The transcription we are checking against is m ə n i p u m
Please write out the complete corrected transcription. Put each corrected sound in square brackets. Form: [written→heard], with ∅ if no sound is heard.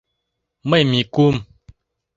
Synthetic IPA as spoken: m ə [n→m] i [p→k] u m

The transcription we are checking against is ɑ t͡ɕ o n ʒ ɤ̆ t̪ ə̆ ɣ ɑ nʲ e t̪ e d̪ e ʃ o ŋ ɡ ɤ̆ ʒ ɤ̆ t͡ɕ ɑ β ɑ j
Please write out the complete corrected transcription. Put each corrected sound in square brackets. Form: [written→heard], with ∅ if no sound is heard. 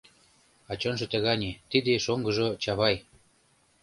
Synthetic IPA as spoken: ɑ t͡ɕ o n ʒ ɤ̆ t̪ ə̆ ɣ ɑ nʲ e t̪ [e→i] d̪ e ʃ o ŋ ɡ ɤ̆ ʒ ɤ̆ t͡ɕ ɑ β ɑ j

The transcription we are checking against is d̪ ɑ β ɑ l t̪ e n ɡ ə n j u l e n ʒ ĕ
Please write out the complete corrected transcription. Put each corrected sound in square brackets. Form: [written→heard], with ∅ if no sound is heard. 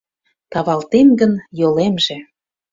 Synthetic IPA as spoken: [d̪→t̪] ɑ β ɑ l t̪ e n ɡ ə n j [u→o] l e [n→m] ʒ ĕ

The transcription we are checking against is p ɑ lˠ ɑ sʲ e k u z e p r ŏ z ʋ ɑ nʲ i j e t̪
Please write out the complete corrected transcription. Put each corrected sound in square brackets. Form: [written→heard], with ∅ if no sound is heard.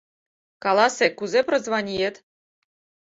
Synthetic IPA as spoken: [p→k] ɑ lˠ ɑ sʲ e k u z e p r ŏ z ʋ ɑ nʲ i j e t̪

